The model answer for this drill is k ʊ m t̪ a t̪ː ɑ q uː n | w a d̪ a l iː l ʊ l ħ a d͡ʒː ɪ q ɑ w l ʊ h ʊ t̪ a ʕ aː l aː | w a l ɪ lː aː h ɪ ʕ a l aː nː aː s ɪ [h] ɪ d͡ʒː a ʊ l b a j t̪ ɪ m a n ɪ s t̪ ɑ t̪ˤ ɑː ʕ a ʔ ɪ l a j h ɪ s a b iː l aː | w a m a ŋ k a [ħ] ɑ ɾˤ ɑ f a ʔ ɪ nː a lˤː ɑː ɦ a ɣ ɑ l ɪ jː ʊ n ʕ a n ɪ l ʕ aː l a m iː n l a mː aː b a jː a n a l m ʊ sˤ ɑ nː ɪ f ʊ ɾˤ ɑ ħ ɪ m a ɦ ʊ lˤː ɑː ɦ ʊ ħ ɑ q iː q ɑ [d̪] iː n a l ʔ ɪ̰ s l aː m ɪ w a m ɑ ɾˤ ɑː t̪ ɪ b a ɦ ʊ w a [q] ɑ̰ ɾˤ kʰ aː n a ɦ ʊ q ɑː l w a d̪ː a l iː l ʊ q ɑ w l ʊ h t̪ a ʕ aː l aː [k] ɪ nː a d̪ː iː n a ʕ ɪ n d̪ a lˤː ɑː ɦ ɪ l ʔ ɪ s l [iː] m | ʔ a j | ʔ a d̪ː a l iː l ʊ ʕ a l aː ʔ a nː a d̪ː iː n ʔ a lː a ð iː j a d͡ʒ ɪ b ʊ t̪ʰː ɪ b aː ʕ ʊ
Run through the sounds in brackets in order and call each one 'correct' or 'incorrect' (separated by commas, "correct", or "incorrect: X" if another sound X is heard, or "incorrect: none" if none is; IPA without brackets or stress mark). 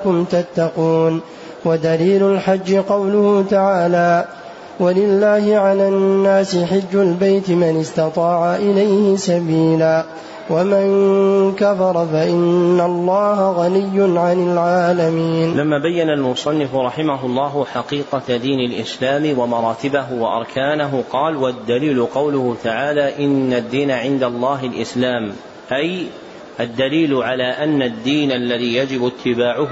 incorrect: ħ, incorrect: f, correct, incorrect: ʔ, incorrect: ʔ, incorrect: aː